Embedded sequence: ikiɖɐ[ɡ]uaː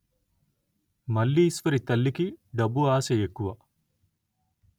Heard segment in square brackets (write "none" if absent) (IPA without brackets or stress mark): b